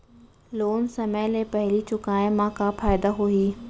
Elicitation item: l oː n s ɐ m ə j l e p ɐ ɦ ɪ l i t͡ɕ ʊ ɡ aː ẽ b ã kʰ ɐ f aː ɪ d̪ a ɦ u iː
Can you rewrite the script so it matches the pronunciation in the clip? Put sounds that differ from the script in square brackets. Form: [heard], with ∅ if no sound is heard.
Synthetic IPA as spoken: l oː n s ɐ m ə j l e p ɐ ɦ ɪ l i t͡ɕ ʊ [k] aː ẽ [m] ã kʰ [a] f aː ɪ d̪ a ɦ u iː